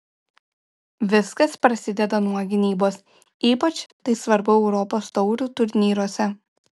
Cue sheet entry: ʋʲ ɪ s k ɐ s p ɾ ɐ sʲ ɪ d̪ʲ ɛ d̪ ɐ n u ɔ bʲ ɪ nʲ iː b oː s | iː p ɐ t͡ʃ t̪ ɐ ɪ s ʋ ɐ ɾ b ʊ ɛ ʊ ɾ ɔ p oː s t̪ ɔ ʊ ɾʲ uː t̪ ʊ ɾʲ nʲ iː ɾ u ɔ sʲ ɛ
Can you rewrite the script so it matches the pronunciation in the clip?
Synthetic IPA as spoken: ʋʲ ɪ s k ɐ s p ɾ ɐ sʲ ɪ d̪ʲ ɛ d̪ ɐ n u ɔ ɡʲ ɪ nʲ iː b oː s | iː p ɐ t͡ʃ t̪ ɐ ɪ s ʋ ɐ ɾ b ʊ ɛ ʊ ɾ ɔ p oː s t̪ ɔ ʊ ɾʲ uː t̪ ʊ ɾʲ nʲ iː ɾ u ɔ sʲ ɛ